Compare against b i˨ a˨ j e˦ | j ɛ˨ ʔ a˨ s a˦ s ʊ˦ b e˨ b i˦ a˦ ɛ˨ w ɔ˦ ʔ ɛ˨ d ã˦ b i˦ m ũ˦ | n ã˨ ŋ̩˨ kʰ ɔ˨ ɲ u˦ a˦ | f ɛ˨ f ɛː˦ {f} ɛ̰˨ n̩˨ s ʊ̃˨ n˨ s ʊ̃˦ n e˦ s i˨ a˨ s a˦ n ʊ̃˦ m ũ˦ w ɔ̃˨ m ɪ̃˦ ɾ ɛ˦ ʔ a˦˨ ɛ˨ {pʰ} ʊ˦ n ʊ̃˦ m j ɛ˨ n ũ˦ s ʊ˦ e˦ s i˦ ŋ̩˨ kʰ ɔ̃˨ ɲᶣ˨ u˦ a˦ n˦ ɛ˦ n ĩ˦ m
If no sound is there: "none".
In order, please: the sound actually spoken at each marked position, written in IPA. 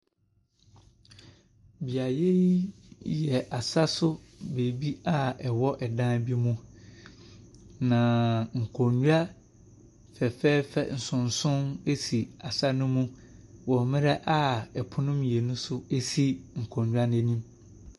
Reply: f, pʰ

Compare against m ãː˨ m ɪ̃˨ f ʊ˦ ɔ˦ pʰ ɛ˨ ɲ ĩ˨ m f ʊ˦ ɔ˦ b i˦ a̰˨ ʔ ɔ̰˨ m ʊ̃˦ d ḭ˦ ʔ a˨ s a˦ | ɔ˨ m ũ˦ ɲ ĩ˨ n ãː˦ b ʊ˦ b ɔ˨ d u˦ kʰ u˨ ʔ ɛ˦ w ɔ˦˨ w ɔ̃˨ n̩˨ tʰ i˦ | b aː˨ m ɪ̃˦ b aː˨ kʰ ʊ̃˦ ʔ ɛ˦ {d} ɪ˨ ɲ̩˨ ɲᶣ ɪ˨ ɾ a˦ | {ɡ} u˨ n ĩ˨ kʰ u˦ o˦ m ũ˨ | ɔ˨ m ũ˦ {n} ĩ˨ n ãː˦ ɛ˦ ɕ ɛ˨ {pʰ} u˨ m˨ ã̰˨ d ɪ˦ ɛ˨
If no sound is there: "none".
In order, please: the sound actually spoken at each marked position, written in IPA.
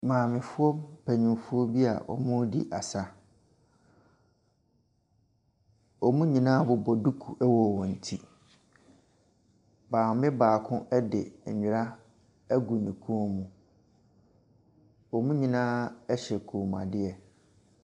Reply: d, ɡ, ɲ, kʰ

